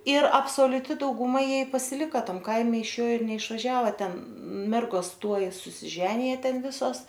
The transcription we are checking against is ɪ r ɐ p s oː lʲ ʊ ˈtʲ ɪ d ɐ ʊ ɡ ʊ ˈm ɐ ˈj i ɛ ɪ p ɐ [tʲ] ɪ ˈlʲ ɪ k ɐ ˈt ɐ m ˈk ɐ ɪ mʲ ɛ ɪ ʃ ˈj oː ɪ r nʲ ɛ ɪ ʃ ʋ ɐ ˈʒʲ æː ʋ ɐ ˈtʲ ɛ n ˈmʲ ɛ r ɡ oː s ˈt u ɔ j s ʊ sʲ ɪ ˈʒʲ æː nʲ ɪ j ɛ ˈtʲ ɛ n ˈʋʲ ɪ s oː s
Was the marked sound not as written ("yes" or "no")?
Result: yes